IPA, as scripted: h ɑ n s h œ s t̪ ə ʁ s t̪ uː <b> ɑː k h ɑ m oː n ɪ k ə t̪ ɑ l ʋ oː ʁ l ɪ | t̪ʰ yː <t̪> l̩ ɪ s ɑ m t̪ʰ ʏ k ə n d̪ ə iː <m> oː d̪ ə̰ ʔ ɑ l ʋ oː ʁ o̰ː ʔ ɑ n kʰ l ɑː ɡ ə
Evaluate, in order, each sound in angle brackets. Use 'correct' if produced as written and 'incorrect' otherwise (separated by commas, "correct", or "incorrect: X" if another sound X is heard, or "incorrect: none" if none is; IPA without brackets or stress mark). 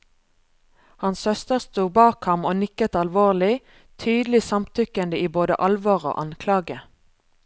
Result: correct, incorrect: d̪, incorrect: b